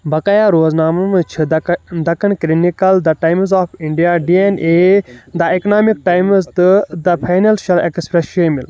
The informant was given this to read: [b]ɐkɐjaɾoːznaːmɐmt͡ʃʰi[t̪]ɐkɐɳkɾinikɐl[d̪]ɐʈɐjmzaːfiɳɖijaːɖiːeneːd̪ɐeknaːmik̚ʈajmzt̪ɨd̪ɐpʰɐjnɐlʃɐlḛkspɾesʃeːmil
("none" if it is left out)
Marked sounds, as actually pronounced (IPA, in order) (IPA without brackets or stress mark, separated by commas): b, d̪, d̪